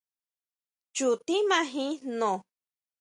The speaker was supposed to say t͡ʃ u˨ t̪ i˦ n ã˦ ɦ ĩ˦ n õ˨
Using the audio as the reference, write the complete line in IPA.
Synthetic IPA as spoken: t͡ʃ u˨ t̪ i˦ m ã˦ ɦ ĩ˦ n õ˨